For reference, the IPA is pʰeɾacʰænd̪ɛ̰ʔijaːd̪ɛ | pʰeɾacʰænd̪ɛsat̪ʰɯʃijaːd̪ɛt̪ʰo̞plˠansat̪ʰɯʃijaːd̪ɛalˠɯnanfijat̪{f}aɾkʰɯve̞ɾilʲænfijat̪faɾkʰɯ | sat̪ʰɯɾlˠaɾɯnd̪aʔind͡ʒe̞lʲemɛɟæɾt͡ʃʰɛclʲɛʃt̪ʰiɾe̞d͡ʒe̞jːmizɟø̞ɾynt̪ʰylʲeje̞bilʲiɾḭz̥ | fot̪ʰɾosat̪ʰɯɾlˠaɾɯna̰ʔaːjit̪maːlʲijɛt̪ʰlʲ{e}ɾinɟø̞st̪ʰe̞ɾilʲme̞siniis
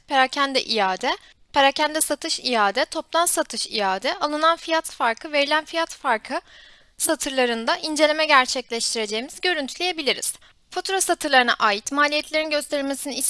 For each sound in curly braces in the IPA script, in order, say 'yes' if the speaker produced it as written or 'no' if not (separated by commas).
yes, yes